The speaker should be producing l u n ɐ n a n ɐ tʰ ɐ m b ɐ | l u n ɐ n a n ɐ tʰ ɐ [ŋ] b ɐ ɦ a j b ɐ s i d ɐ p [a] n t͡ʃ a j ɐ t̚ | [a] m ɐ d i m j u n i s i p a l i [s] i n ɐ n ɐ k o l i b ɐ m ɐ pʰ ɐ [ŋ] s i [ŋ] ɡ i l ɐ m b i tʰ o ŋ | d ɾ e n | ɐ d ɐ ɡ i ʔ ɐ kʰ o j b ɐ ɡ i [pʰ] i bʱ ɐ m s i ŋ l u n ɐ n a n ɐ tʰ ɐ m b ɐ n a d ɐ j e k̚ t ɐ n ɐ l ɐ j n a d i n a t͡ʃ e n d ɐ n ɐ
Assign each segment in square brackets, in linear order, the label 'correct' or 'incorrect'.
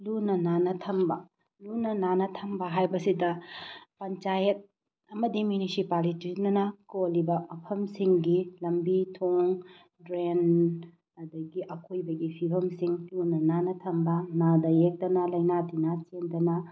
incorrect: m, incorrect: ɐ, incorrect: ɐ, incorrect: t, incorrect: m, correct, correct

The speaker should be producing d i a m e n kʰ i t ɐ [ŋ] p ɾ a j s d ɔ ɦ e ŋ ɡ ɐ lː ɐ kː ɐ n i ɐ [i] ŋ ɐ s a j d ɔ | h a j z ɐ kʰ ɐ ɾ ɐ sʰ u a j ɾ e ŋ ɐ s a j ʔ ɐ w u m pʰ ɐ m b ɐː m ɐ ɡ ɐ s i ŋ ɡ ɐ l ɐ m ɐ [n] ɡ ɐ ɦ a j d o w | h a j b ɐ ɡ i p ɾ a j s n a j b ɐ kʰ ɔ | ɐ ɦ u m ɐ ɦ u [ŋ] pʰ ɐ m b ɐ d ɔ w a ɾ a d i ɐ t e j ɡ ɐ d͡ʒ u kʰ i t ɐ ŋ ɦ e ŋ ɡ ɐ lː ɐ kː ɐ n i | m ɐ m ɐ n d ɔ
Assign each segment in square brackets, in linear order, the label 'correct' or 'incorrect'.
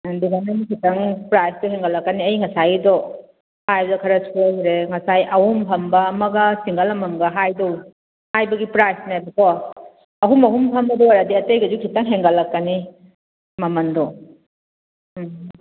correct, incorrect: j, incorrect: ŋ, incorrect: m

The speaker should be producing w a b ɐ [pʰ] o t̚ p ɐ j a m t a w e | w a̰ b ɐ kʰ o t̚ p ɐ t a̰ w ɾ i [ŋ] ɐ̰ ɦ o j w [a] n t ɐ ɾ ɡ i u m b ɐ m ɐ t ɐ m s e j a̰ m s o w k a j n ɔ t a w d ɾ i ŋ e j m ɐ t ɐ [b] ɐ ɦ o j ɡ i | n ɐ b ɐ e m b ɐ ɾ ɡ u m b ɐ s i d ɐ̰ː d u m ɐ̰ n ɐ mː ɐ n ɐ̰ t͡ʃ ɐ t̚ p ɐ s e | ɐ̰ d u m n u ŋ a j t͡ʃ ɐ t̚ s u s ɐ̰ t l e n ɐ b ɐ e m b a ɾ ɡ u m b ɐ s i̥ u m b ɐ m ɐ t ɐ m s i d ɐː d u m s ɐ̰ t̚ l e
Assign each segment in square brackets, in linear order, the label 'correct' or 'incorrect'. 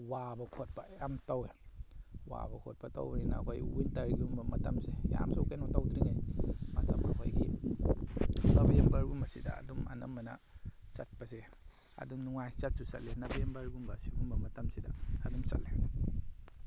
incorrect: kʰ, incorrect: n, incorrect: i, incorrect: m

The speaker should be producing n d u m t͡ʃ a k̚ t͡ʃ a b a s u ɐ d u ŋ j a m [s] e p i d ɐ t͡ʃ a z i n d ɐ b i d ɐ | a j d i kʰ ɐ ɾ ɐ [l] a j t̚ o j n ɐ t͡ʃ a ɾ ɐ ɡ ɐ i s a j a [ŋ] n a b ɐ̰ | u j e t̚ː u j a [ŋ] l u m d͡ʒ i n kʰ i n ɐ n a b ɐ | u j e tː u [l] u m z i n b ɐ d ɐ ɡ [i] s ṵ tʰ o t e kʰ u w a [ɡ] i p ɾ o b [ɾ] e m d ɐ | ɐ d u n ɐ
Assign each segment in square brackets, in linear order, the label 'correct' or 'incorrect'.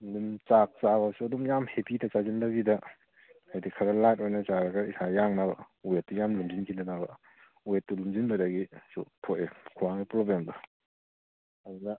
incorrect: h, correct, correct, incorrect: m, correct, correct, incorrect: ŋ, incorrect: l

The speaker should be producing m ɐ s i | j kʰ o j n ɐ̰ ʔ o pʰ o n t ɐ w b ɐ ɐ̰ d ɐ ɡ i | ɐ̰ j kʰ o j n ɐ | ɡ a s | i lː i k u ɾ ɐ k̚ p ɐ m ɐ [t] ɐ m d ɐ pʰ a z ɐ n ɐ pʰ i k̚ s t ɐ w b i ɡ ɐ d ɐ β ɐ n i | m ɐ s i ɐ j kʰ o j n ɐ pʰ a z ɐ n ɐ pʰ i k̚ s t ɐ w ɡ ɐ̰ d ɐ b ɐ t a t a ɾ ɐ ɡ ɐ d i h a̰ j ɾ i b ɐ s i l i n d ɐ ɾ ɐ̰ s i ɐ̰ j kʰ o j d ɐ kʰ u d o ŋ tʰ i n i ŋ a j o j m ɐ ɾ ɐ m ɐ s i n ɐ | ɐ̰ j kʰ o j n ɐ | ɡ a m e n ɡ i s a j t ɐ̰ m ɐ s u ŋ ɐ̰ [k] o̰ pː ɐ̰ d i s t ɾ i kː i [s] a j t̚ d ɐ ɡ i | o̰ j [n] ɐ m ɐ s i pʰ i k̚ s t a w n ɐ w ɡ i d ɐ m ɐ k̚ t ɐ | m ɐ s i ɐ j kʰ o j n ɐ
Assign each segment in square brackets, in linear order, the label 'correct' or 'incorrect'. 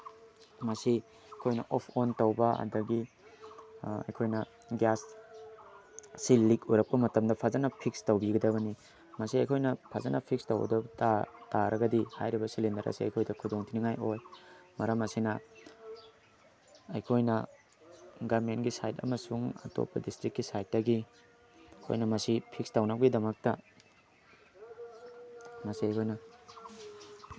correct, incorrect: t, correct, correct

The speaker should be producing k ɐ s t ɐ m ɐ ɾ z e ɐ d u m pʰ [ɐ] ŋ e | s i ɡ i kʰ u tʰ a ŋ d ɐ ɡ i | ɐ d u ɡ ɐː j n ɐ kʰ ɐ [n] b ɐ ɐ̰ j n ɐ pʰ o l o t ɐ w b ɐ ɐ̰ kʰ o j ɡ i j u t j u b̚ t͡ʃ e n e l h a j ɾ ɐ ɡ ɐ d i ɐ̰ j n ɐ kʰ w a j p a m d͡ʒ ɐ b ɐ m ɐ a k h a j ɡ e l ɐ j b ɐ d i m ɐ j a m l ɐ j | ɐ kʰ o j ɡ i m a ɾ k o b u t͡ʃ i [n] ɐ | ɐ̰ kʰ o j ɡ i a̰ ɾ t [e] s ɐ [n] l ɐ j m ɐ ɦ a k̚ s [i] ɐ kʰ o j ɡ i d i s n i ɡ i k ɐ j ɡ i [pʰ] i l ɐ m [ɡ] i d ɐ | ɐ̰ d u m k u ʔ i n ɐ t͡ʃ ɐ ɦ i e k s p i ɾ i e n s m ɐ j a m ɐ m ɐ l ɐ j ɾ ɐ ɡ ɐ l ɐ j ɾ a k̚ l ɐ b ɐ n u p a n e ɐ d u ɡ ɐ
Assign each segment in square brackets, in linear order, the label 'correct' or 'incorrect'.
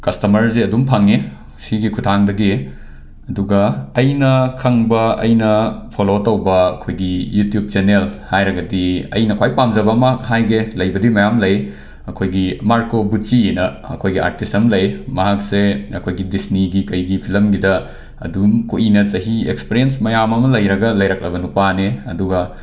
incorrect: a, incorrect: ŋ, correct, incorrect: i, incorrect: m, incorrect: e, correct, correct

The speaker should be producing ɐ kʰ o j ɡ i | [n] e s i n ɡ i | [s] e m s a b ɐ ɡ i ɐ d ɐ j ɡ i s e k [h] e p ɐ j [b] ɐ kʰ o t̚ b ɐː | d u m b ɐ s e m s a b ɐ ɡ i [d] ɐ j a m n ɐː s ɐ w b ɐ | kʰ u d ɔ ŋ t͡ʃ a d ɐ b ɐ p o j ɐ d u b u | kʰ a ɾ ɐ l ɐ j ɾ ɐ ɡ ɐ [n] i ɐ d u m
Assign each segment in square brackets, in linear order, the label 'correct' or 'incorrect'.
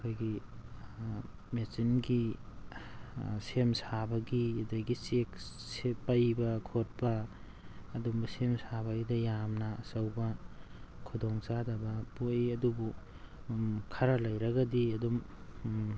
incorrect: m, correct, incorrect: s, correct, correct, incorrect: d

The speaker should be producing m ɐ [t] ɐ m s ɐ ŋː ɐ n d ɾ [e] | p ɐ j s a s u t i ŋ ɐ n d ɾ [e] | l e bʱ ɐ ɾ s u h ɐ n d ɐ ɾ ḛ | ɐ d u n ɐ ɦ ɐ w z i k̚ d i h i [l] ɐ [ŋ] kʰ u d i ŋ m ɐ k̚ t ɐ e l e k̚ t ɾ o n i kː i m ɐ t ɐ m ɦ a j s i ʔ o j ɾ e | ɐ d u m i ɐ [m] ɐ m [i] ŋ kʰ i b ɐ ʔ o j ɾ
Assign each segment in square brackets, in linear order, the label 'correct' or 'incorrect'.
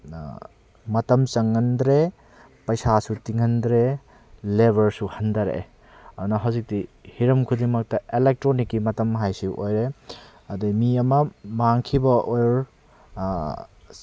correct, correct, correct, incorrect: ɾ, incorrect: m, correct, incorrect: a

